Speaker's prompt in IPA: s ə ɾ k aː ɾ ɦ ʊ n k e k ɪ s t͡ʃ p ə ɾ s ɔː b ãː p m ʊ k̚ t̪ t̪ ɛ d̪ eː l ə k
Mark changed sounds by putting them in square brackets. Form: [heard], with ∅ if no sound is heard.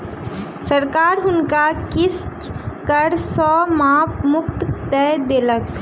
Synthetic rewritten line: s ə ɾ k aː ɾ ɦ ʊ n k [a] k ɪ s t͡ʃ [k] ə ɾ s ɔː [m] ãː p m ʊ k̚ t̪ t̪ ɛ d̪ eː l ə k